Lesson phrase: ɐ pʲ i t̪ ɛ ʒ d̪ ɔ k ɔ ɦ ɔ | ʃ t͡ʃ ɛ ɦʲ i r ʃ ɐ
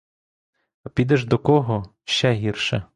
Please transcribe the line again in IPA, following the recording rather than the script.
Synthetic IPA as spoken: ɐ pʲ i d̪ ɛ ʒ d̪ ɔ k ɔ ɦ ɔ | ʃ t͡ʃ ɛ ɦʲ i r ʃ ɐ